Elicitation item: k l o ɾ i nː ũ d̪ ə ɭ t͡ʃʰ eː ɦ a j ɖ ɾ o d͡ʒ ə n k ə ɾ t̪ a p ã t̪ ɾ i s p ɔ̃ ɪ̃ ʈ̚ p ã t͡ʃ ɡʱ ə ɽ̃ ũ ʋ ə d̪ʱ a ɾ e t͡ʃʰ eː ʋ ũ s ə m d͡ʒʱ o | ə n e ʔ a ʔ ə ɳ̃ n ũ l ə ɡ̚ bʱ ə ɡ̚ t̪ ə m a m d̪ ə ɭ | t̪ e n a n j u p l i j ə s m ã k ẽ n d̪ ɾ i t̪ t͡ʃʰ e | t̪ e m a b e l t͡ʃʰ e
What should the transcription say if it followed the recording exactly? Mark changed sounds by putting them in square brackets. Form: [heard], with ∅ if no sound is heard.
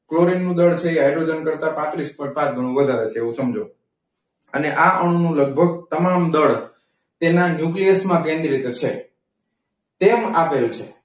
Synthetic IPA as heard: k l o ɾ i nː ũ d̪ ə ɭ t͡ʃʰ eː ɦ a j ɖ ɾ o d͡ʒ ə n k ə ɾ t̪ a p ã t̪ ɾ i s p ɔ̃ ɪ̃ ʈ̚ p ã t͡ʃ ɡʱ ə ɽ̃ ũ ʋ ə d̪ʱ a ɾ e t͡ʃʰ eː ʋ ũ s ə m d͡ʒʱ o | ə n e ʔ a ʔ ə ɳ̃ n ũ l ə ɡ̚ bʱ ə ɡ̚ t̪ ə m a m d̪ ə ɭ | t̪ e n a n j u [k] l i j ə s m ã k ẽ n d̪ ɾ i t̪ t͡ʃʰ e | t̪ e m a [p] e l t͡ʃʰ e